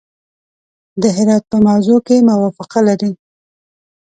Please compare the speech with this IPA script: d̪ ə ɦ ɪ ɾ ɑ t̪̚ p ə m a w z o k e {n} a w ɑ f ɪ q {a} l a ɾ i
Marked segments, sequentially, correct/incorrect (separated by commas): incorrect, correct